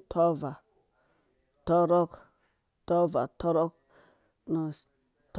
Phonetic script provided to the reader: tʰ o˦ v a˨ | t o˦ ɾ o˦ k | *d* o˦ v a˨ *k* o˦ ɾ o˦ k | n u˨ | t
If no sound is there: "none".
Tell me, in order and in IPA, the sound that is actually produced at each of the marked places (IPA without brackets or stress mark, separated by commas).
t, t